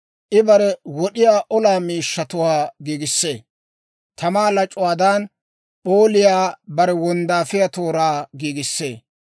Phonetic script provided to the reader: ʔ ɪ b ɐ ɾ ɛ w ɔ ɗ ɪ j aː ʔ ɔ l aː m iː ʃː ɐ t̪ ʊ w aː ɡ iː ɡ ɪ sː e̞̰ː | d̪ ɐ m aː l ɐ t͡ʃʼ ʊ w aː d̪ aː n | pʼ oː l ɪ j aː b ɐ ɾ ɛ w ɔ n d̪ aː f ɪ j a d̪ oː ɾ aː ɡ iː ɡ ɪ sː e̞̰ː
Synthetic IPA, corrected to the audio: ʔ ɪ b ɐ ɾ ɛ w ɔ ɗ ɪ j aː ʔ ɔ l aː m iː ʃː ɐ t̪ ʊ w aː ɡ iː ɡ ɪ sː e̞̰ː | t̪ ɐ m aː l ɐ t͡ʃʼ ʊ w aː d̪ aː n | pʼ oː l ɪ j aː b ɐ ɾ ɛ w ɔ n d̪ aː f ɪ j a t̪ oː ɾ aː ɡ iː ɡ ɪ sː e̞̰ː